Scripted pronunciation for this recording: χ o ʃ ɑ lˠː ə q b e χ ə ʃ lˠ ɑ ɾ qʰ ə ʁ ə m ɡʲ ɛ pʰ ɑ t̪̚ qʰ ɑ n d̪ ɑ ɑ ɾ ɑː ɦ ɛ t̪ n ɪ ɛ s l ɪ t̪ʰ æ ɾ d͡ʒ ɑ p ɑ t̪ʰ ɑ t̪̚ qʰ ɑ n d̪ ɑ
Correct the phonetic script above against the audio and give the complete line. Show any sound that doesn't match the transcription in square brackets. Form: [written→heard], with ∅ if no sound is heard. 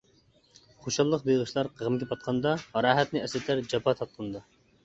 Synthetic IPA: χ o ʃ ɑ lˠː ə q b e [χ→ʁ] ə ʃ lˠ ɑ ɾ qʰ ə ʁ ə m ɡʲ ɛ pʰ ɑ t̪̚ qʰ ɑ n d̪ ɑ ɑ ɾ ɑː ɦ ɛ t̪ n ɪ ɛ s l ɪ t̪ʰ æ ɾ d͡ʒ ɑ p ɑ t̪ʰ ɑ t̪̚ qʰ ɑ n d̪ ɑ